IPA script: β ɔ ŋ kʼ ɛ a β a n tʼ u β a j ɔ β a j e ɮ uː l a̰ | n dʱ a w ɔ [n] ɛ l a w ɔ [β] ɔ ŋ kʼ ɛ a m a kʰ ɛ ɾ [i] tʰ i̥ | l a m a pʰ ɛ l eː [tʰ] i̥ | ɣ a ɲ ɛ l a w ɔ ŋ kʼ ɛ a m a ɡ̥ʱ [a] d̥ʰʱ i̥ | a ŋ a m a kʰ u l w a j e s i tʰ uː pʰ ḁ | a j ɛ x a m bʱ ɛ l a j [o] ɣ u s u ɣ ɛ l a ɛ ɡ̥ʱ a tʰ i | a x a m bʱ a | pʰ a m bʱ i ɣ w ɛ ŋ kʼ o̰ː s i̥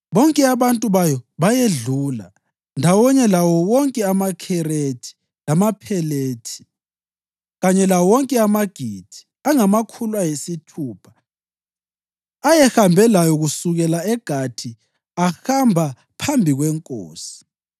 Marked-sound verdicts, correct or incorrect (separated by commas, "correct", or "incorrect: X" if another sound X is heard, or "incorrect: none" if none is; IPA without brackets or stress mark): incorrect: ɲ, incorrect: w, incorrect: e, correct, incorrect: i, incorrect: ɔ